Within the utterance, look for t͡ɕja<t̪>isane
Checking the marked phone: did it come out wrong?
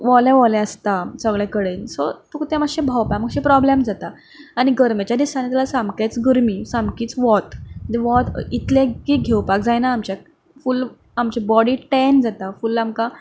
yes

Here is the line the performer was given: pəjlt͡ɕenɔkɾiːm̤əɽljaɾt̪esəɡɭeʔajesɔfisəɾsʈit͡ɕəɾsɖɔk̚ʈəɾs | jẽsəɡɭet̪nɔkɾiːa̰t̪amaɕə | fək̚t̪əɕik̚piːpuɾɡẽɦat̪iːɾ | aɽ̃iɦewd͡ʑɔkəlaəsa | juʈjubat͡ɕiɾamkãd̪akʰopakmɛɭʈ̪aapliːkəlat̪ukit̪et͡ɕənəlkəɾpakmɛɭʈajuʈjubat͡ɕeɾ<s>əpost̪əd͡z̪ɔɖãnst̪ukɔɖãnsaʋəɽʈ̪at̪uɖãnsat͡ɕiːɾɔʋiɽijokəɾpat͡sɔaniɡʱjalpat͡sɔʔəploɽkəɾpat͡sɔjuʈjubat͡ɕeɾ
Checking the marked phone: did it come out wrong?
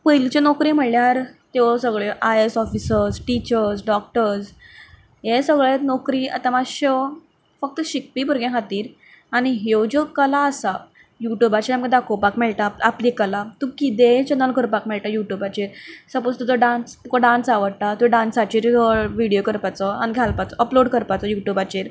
no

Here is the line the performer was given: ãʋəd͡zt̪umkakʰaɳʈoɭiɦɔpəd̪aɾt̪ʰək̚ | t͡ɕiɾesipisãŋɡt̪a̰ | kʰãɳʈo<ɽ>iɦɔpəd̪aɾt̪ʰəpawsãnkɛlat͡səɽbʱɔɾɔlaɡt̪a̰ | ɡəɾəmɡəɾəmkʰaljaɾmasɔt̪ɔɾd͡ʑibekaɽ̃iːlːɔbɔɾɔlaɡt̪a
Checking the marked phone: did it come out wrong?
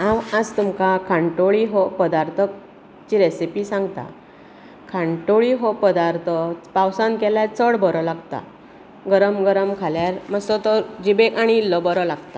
yes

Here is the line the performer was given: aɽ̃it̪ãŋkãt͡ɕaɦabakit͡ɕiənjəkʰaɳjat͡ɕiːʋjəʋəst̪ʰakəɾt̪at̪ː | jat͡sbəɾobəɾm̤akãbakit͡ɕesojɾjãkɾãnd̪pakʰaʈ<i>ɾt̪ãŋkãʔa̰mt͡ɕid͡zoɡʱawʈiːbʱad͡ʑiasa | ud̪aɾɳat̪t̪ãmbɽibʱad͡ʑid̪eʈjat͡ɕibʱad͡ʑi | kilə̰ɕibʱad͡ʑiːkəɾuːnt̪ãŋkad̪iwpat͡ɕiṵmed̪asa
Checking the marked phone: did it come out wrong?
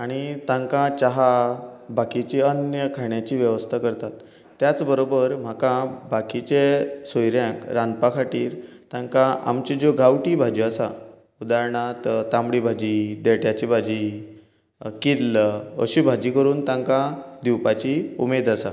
yes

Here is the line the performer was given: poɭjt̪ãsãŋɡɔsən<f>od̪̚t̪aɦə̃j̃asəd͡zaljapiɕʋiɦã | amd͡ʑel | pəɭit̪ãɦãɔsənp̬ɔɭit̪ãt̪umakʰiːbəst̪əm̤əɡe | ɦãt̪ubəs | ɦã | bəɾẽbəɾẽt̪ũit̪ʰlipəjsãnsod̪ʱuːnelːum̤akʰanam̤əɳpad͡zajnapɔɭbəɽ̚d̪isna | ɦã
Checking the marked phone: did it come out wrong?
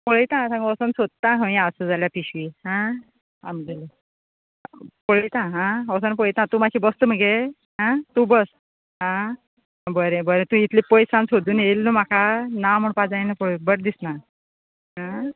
yes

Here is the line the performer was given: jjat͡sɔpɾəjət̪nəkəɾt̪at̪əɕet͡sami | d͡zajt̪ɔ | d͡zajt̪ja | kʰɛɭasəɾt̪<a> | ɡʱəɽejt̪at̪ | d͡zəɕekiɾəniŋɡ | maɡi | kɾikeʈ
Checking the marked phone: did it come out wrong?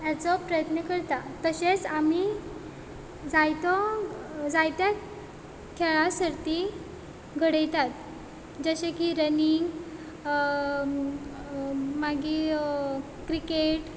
yes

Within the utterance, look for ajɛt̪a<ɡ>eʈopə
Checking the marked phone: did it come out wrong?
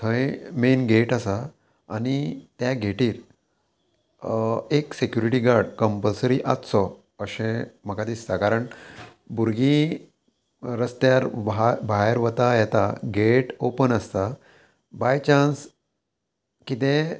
no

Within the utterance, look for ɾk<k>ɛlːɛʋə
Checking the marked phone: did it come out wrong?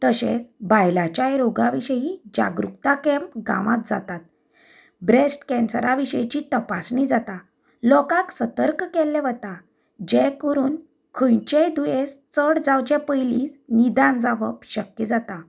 no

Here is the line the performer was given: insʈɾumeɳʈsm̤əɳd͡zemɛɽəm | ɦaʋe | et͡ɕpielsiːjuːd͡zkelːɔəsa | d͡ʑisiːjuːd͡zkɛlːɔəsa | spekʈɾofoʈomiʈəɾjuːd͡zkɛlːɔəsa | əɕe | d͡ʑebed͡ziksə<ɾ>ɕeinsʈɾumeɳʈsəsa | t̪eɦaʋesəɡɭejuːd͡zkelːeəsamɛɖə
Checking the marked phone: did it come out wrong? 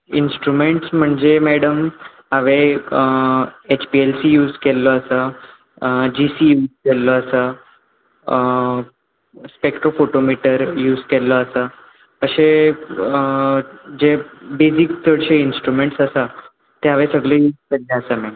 yes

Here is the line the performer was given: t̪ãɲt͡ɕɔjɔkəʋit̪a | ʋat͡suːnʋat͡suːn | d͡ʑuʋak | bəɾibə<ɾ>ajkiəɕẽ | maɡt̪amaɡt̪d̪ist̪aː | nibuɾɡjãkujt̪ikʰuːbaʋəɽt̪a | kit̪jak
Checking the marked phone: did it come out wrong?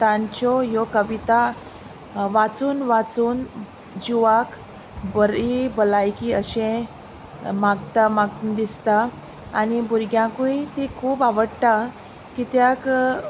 yes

